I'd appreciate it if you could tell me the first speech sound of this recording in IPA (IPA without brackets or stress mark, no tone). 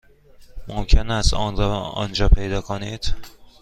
m